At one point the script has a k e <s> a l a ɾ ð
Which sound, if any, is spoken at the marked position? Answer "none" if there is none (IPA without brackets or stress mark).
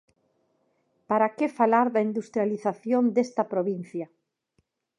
f